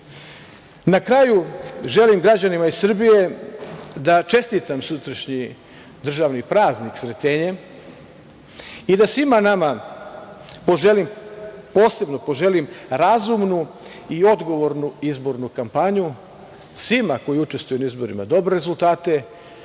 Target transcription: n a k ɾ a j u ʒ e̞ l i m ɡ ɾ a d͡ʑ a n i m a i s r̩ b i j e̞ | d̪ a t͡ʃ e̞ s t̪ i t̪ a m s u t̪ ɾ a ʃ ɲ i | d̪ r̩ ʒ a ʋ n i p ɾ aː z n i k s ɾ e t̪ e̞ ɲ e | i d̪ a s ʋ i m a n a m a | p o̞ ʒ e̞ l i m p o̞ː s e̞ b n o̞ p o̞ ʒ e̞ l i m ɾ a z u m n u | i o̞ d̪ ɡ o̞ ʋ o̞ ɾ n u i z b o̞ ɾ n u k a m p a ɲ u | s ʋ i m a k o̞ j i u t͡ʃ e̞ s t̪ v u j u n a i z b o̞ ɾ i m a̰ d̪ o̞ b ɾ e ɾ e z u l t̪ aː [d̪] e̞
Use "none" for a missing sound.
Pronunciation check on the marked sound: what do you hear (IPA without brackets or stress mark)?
t̪